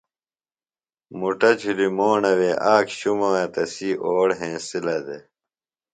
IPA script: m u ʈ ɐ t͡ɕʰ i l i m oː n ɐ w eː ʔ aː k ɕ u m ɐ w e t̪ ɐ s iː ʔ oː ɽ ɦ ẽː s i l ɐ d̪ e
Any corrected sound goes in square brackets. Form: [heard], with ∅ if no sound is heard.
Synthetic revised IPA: m u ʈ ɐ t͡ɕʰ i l i m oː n ɐ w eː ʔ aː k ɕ u m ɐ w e t̪ ɐ s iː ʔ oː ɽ ɦ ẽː s i l ɐ d̪ e